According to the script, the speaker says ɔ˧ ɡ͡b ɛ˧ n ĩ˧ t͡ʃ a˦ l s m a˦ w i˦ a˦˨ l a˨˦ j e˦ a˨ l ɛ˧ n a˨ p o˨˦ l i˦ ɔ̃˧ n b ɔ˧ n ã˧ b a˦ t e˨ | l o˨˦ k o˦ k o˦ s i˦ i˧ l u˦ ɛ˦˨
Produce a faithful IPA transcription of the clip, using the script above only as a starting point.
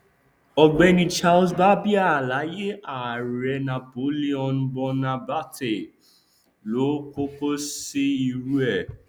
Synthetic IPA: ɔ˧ ɡ͡b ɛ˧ n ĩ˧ t͡ʃ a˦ l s b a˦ b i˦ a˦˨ l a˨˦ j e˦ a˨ ɾ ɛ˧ n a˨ p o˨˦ l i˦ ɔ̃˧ n b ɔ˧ n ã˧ b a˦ t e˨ | l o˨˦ k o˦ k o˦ s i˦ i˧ ɾ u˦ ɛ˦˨